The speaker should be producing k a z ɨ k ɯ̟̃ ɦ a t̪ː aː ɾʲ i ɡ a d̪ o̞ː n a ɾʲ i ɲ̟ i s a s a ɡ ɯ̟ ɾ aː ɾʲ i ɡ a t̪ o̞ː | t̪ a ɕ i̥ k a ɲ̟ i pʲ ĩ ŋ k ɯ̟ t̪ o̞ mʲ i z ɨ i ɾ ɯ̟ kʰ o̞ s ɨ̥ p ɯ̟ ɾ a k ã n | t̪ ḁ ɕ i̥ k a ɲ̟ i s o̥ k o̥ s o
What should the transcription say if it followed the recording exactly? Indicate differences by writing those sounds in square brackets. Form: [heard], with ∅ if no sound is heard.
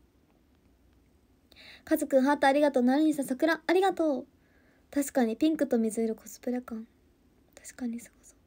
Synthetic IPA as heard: k a z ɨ k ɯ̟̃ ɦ a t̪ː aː ɾʲ i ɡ a [t̪] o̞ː n a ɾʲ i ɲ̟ i s a s a [k] ɯ̟ ɾ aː ɾʲ i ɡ a t̪ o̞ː | t̪ a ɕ i̥ k a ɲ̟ i pʲ ĩ ŋ k ɯ̟ t̪ o̞ mʲ i z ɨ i ɾ ɯ̟ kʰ o̞ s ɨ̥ p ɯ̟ ɾ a k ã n | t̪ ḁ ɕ i̥ k a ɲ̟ i s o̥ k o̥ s o